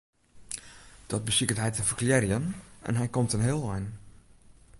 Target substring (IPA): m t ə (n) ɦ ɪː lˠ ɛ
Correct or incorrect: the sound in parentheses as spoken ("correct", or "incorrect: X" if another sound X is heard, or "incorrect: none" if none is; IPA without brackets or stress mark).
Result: correct